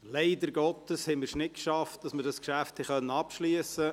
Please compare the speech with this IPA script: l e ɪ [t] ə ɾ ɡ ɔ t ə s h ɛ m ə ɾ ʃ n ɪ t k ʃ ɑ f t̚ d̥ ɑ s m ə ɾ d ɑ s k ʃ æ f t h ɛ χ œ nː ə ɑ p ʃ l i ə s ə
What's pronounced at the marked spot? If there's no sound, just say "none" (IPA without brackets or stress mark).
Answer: d